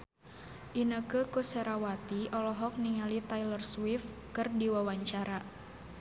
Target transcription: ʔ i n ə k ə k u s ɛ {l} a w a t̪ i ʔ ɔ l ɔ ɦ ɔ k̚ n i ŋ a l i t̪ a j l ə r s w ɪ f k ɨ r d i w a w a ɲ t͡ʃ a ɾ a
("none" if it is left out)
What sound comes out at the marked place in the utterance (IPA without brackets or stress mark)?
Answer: ɾ